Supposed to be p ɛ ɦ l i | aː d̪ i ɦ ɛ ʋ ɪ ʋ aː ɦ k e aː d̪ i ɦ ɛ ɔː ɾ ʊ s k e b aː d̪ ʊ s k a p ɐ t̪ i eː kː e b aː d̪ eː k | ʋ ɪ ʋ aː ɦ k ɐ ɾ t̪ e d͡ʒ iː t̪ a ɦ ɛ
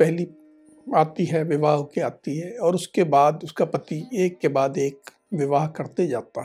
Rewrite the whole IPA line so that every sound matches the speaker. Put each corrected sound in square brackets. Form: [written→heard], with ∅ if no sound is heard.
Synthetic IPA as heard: p ɛ ɦ l i | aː [d̪→t̪] i ɦ ɛ ʋ ɪ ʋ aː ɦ k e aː [d̪→t̪] i ɦ ɛ ɔː ɾ ʊ s k e b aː d̪ ʊ s k a p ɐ t̪ i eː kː e b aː d̪ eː k | ʋ ɪ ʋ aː ɦ k ɐ ɾ t̪ e d͡ʒ [iː→aː] t̪ a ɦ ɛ